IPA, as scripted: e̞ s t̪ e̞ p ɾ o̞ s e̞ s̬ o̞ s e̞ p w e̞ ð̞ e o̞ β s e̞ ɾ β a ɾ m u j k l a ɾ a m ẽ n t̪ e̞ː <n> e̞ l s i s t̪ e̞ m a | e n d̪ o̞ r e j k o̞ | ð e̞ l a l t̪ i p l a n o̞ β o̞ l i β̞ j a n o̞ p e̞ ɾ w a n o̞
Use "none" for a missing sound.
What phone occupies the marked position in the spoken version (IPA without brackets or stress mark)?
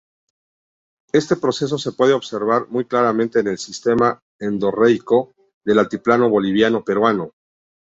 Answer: n